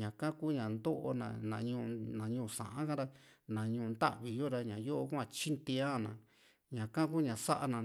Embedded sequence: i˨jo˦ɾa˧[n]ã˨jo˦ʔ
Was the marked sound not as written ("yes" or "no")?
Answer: yes